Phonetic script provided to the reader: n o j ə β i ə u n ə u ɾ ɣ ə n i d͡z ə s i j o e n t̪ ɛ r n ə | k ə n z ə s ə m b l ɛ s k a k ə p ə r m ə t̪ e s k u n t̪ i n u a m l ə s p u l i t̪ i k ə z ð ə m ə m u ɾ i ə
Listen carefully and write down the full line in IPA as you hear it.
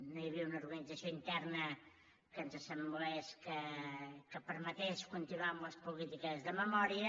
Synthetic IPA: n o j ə β i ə u n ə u ɾ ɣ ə n i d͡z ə s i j o i n t̪ ɛ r n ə | k ə n z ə s ə m b l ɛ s k ə k ə p ə ɾ m ə t̪ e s k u n t̪ i n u a m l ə s p u l i t̪ i k ə z ð ə m ə m ɔ ɾ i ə